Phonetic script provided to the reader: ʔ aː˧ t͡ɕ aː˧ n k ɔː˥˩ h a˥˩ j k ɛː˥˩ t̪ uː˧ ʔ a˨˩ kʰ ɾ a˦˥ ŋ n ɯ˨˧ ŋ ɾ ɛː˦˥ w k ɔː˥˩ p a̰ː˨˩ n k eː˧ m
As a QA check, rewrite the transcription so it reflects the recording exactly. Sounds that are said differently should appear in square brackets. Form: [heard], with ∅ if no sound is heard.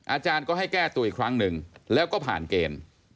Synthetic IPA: ʔ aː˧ t͡ɕ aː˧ n k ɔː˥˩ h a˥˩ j k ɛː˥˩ t̪ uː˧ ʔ [i˨˩] kʰ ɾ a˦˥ ŋ n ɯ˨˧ ŋ [l] ɛː˦˥ w k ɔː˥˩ [pʰ] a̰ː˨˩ n k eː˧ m